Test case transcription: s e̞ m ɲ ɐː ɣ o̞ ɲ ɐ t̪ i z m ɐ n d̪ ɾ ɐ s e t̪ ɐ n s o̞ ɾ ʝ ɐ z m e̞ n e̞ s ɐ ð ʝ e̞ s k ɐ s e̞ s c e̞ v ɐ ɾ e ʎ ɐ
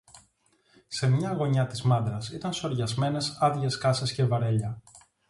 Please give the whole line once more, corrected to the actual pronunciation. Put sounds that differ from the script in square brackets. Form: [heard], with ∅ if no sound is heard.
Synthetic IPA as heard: s e̞ m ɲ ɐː ɣ o̞ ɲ ɐ t̪ i z m ɐ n d̪ ɾ ɐ s [i] t̪ ɐ n s o̞ ɾ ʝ ɐ z m e̞ n e̞ s ɐ ð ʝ e̞ s k ɐ s e̞ s c e̞ v ɐ ɾ e ʎ ɐ